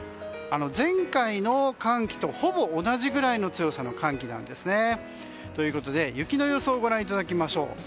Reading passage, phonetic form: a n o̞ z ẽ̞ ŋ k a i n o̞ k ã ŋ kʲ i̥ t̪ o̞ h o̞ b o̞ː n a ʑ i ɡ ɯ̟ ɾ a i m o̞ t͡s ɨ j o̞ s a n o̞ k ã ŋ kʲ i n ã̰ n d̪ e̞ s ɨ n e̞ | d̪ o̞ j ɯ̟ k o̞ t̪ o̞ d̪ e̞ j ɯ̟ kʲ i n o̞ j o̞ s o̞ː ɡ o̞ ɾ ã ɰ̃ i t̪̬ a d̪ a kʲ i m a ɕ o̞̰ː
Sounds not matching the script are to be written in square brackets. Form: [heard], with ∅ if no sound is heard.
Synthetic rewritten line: a n o̞ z ẽ̞ ŋ k a i n o̞ k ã ŋ kʲ i̥ t̪ o̞ h o̞ b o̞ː n a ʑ i ɡ ɯ̟ ɾ a i [n] o̞ t͡s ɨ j o̞ s a n o̞ k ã ŋ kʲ i n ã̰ n d̪ e̞ s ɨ n e̞ | [t̪] o̞ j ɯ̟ k o̞ t̪ o̞ d̪ e̞ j ɯ̟ kʲ i n o̞ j o̞ s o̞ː ɡ o̞ ɾ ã ɰ̃ i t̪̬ a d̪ a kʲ i m a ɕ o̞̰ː